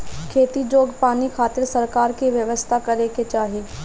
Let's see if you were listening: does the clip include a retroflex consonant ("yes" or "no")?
no